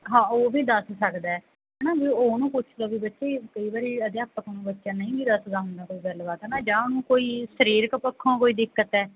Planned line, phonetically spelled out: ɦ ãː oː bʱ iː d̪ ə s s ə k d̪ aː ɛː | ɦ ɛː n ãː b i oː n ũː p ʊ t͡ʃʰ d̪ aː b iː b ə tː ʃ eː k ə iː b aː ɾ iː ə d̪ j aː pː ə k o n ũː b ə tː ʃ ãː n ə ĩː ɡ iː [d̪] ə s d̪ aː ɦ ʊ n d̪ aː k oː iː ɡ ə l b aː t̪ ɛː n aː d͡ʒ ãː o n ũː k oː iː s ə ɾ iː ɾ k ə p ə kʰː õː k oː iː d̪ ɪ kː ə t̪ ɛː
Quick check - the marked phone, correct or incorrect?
correct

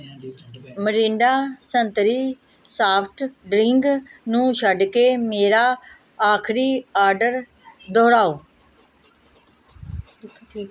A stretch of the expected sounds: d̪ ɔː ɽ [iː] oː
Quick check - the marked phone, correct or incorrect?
incorrect: aː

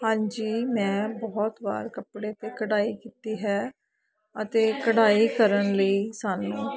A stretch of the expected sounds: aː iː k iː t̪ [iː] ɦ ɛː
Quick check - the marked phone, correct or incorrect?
correct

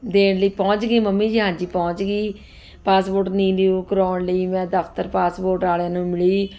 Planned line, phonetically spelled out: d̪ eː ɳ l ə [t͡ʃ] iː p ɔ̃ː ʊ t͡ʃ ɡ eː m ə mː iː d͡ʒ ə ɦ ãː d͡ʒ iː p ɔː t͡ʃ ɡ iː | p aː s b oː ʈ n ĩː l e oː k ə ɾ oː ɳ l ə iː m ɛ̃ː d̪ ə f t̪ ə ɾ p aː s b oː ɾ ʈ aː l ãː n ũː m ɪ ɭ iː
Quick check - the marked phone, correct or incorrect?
incorrect: none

